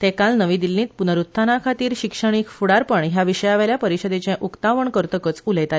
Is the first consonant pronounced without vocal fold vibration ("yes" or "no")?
yes